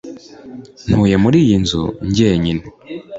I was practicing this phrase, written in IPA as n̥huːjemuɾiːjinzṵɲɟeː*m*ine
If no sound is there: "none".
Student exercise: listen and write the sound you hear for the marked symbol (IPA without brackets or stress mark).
ɲ